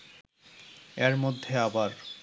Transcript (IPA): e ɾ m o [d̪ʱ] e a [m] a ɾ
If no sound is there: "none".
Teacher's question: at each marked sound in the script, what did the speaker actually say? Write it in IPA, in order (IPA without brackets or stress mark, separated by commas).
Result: d̪ʱː, b